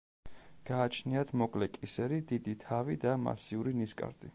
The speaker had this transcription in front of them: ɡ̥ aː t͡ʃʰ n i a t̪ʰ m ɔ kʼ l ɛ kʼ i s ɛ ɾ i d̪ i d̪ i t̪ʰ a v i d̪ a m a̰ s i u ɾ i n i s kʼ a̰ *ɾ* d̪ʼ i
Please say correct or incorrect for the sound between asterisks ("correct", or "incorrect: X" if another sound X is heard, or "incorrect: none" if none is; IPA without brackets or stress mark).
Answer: correct